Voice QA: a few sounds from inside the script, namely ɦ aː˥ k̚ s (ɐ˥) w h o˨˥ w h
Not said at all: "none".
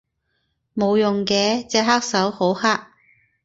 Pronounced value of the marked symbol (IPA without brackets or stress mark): ɐ˨˥